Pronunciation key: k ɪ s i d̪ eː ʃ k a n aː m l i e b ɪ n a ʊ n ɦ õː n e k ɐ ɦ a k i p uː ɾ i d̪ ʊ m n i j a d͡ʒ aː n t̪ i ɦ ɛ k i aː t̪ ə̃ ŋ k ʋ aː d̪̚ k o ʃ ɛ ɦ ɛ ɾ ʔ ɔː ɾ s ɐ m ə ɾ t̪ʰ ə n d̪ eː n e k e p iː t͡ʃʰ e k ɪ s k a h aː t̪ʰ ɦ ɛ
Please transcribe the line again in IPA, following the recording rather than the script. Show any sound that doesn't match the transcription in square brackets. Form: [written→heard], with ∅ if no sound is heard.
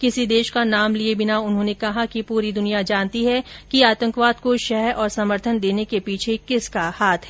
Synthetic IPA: k ɪ s i d̪ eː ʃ k a n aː m l i e b ɪ n a ʊ n ɦ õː n e k ɐ ɦ a k i p uː ɾ i d̪ ʊ [m→∅] n i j a d͡ʒ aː n t̪ i ɦ ɛ k i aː t̪ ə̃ ŋ k ʋ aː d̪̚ k o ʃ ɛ ɦ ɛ ɾ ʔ ɔː ɾ s ɐ m ə ɾ t̪ʰ ə n d̪ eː n e k e p iː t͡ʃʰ e k ɪ s k a h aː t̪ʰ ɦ ɛ